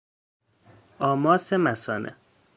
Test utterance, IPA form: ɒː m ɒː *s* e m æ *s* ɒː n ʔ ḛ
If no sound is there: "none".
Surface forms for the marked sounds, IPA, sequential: s, s

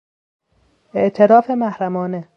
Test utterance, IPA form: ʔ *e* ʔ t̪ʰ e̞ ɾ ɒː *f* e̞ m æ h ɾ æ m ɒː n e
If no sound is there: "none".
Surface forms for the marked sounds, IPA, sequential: e, f

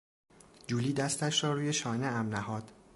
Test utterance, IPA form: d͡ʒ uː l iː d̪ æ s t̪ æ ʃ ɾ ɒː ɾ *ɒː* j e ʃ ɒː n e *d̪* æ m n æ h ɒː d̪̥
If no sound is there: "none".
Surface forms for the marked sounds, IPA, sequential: uː, none

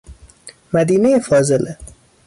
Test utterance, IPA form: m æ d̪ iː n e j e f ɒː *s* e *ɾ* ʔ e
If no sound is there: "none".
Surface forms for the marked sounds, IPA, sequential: z, l

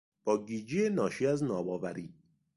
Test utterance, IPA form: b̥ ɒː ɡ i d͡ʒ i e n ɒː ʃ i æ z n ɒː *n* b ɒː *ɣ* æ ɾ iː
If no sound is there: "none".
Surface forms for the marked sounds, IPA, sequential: none, v

